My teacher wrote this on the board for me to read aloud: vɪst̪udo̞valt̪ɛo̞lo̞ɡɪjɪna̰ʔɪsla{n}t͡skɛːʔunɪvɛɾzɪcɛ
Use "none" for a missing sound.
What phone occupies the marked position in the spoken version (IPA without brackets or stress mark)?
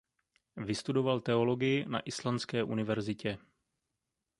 n